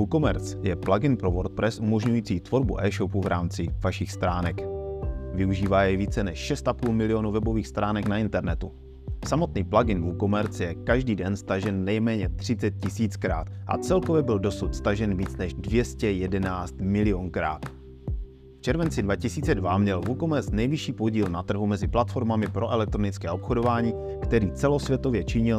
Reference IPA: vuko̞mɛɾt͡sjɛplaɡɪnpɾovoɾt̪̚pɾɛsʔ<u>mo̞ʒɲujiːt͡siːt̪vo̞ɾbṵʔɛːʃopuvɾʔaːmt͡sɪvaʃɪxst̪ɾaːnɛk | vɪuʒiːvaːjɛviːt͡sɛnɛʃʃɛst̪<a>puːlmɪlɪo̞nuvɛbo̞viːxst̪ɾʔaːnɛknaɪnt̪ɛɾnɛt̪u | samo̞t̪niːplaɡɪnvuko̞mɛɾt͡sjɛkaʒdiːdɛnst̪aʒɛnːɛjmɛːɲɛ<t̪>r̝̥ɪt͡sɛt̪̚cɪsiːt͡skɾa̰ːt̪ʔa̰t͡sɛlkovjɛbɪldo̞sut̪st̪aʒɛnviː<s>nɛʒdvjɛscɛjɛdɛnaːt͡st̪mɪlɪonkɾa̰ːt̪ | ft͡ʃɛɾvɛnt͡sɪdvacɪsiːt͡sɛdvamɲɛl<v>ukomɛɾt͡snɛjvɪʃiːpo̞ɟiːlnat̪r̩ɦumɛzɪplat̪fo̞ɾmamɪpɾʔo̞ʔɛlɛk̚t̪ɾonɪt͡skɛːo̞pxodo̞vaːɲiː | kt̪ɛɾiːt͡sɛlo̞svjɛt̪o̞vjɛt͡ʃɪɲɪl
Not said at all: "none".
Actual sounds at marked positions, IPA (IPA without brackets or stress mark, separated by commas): u, a, t̪, t͡s, v